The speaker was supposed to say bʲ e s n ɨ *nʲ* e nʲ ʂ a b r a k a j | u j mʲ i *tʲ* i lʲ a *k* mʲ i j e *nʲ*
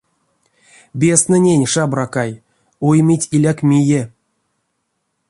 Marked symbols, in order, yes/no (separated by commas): yes, yes, yes, no